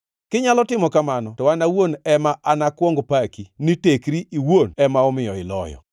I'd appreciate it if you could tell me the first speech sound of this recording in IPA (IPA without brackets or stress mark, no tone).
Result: k